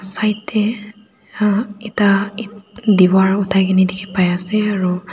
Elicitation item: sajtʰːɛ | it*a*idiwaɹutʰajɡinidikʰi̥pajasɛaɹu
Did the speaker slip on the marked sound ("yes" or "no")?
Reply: no